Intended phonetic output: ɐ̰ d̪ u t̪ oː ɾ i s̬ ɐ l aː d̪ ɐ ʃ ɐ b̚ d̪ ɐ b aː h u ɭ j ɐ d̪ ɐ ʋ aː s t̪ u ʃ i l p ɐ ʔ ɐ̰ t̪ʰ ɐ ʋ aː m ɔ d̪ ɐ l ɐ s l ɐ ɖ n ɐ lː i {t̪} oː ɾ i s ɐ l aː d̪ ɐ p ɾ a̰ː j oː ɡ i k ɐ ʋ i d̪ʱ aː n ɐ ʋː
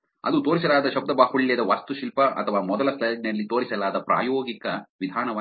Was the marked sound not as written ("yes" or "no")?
no